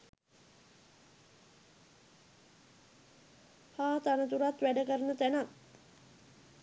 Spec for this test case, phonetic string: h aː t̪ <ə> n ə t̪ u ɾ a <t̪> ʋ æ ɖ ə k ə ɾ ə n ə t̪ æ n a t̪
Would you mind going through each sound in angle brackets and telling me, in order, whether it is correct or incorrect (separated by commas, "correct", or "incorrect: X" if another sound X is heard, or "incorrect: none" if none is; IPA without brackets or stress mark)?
incorrect: a, correct